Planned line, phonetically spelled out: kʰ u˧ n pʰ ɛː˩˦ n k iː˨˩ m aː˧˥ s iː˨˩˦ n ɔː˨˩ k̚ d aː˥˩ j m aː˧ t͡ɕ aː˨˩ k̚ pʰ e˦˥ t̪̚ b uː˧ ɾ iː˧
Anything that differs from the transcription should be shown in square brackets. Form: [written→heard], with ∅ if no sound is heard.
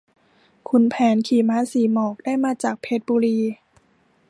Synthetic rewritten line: kʰ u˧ n pʰ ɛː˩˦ n [k→kʰ] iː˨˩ m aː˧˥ s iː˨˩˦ [n→m] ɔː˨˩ k̚ d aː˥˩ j m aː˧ t͡ɕ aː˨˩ k̚ pʰ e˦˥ t̪̚ b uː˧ ɾ iː˧